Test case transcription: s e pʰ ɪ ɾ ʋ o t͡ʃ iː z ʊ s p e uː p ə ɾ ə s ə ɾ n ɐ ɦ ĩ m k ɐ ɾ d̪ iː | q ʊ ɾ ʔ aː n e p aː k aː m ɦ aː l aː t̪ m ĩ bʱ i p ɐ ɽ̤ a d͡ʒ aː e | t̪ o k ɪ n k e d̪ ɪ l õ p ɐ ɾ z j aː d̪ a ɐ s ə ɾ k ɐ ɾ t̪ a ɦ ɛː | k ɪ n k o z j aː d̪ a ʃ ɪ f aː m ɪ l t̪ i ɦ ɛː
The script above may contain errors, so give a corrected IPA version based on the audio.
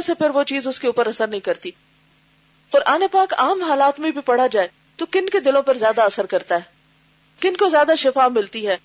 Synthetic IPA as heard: s e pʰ ɪ ɾ ʋ o t͡ʃ iː z ʊ s k e uː p ə ɾ ɐ s ə ɾ n ɐ ɦ ĩ k ɐ ɾ t̪ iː | q ʊ ɾ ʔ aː n e p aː k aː m ɦ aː l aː t̪ m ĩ bʱ i p ɐ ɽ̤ a d͡ʒ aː e | t̪ o k ɪ n k e d̪ ɪ l õ p ɐ ɾ z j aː d̪ a ɐ s ə ɾ k ɐ ɾ t̪ a ɦ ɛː | k ɪ n k o z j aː d̪ a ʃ ɪ f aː m ɪ l t̪ i ɦ ɛː